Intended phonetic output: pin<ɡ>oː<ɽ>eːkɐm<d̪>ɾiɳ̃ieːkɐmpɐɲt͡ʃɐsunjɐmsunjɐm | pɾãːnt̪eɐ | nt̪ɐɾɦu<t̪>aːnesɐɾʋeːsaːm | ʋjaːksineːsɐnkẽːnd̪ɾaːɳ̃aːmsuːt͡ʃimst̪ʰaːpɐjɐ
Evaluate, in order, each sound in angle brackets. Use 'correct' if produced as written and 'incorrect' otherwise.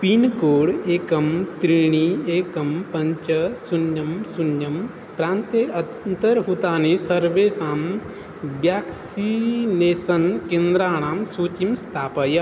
incorrect: k, correct, incorrect: t̪, correct

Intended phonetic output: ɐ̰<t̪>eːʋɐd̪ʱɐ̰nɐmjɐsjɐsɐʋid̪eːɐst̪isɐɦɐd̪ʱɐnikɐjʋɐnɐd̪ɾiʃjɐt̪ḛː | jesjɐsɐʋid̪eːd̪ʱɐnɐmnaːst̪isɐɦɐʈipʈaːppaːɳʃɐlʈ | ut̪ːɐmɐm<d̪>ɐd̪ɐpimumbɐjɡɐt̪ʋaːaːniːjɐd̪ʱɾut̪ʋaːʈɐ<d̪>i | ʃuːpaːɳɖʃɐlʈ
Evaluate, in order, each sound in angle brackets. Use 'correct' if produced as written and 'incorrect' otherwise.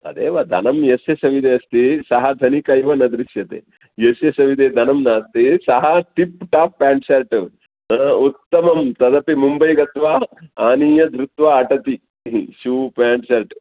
incorrect: d̪, incorrect: t̪, incorrect: t̪

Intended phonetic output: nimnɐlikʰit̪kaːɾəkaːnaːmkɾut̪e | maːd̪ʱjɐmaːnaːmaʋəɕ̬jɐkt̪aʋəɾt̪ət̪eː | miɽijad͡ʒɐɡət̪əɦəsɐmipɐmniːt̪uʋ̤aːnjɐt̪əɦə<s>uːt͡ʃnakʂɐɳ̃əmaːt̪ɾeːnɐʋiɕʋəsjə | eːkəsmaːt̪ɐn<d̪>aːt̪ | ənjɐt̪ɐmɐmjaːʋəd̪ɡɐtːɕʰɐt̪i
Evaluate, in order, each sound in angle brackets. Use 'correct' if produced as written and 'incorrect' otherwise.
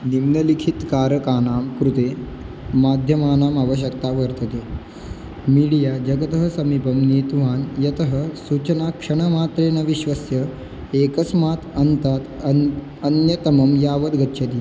correct, incorrect: t̪

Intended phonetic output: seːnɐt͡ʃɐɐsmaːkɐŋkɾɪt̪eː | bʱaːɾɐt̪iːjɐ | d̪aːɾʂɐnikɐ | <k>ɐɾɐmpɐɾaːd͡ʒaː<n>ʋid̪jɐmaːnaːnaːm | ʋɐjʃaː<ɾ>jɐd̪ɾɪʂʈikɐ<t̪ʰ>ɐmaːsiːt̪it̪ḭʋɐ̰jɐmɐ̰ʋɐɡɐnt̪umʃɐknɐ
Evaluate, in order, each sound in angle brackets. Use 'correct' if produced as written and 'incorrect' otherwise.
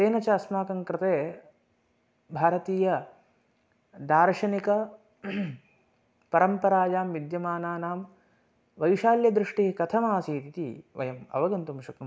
incorrect: p, incorrect: m, incorrect: l, correct

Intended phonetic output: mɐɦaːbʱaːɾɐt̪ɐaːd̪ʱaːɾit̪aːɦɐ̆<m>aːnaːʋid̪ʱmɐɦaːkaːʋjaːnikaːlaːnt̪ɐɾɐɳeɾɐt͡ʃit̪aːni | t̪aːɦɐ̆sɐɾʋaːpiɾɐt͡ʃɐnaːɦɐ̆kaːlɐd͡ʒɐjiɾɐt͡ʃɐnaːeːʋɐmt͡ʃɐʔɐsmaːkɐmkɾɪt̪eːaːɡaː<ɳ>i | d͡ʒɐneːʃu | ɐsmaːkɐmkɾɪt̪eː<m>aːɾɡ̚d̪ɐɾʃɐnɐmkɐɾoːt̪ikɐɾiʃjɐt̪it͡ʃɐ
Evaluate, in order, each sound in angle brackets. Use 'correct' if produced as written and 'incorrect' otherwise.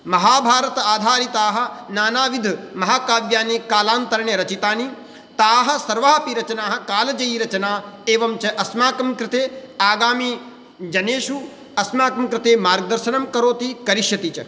incorrect: n, incorrect: m, correct

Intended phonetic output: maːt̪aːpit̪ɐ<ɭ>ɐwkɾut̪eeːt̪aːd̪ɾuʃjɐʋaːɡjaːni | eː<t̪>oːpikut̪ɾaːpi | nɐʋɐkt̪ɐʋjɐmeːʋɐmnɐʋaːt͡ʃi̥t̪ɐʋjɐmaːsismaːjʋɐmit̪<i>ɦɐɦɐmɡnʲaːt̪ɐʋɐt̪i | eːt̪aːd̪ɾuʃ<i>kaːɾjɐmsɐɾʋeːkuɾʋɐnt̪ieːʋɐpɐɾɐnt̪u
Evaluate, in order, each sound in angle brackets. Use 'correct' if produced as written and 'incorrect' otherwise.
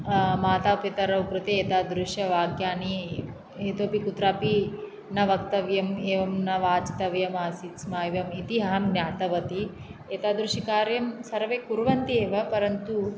incorrect: ɾ, correct, correct, correct

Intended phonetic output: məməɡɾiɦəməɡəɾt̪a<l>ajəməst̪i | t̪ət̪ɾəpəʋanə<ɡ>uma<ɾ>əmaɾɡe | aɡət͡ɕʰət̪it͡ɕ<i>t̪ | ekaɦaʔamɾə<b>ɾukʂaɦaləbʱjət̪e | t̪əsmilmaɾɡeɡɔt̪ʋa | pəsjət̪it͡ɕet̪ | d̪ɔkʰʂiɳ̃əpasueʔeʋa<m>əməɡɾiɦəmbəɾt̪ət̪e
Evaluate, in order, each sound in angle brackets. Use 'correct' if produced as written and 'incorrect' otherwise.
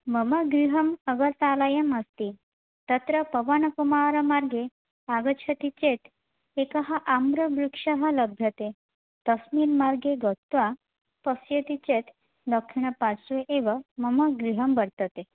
correct, incorrect: k, correct, incorrect: e, correct, correct

